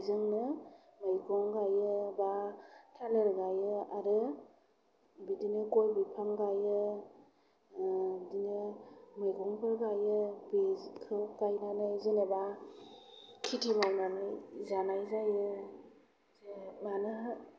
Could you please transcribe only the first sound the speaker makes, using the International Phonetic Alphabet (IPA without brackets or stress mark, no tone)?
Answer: z